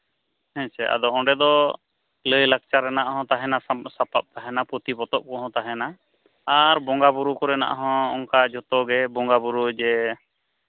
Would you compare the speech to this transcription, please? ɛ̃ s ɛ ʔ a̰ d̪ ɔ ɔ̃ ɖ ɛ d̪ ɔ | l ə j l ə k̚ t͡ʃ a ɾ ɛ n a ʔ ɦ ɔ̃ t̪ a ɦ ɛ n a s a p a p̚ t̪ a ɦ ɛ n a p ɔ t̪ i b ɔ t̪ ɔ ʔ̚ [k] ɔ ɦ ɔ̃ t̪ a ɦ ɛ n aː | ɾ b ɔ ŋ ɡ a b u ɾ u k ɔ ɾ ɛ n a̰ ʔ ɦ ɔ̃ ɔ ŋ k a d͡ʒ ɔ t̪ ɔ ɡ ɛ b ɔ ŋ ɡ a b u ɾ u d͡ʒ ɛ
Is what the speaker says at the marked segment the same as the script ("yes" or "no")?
yes